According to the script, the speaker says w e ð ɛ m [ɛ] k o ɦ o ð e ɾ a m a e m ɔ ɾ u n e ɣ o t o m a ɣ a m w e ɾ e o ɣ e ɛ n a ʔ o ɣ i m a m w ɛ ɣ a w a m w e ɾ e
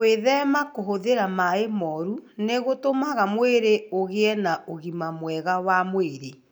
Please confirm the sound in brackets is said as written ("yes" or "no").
no